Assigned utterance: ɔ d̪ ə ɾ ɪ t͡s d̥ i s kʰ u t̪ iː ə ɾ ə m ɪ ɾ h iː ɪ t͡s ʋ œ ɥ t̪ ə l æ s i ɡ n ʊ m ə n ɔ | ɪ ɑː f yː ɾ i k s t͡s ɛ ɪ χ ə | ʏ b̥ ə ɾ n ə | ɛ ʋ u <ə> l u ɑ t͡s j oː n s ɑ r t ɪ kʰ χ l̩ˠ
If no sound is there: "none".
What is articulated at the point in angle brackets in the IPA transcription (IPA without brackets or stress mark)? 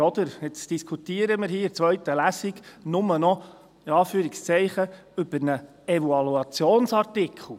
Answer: ɑ